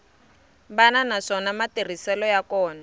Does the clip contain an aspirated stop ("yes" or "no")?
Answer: no